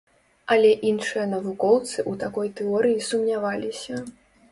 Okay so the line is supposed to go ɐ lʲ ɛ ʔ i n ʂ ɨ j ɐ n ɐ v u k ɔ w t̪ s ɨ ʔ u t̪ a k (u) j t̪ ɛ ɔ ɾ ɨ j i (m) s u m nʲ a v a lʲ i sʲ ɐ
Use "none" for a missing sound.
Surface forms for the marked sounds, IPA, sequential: ɔ, none

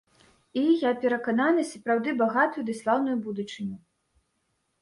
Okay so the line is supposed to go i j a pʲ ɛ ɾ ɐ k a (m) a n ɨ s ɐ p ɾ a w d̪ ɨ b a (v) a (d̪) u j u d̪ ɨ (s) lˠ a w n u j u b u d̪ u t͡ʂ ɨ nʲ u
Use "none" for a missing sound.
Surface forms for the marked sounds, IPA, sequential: n, ɣ, t̪, s

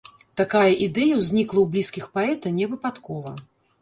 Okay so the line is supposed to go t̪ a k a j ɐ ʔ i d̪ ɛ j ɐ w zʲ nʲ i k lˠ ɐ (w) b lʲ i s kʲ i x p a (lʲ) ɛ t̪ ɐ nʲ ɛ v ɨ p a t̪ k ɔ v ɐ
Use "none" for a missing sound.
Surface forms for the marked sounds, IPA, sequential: w, none

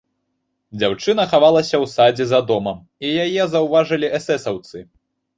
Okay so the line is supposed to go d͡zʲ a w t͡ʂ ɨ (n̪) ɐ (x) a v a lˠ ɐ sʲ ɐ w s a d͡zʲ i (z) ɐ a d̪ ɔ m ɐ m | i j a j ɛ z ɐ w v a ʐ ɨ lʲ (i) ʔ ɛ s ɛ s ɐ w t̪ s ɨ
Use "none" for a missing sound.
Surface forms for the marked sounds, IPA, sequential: n̪, x, z, i

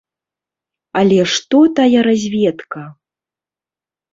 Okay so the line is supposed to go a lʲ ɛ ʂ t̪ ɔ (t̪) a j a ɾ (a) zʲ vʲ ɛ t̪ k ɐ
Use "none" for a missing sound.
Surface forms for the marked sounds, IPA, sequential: t̪, a

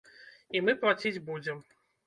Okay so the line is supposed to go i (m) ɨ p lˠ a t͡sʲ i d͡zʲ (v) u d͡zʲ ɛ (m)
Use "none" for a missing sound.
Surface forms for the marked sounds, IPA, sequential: m, b, m

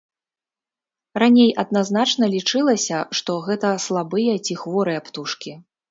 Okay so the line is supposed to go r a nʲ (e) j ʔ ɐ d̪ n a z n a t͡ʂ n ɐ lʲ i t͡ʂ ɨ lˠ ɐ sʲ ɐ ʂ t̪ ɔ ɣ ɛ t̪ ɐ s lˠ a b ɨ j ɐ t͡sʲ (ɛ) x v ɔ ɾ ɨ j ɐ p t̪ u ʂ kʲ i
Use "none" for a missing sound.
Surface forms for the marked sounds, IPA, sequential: e, i

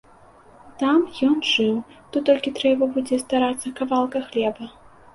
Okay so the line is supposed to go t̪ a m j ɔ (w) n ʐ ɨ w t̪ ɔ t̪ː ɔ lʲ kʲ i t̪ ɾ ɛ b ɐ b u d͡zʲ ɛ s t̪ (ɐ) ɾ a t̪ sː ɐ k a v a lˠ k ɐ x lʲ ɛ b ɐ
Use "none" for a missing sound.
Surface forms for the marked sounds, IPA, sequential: none, a

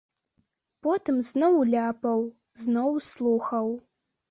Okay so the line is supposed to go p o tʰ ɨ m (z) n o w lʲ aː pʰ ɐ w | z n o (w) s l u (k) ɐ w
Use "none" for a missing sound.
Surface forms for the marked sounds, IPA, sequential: z, w, x

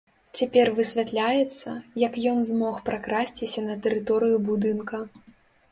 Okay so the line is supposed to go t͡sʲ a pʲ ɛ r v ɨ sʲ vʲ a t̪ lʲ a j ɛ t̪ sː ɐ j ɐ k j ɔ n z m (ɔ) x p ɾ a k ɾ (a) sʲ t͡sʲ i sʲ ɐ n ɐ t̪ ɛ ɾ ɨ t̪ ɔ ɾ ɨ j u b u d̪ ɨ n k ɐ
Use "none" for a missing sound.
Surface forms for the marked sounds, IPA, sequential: ɔ, a

